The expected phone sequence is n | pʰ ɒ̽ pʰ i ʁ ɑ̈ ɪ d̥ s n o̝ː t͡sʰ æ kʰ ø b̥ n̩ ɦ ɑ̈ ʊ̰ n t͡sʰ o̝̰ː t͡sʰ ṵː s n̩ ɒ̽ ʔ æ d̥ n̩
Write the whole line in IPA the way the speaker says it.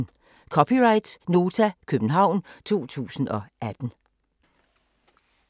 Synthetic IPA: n | kʰ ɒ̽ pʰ i ʁ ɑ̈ ɪ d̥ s n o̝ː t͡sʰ æ kʰ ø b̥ n̩ ɦ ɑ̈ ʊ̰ n t͡sʰ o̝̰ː t͡sʰ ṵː s n̩ ɒ̽ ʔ æ d̥ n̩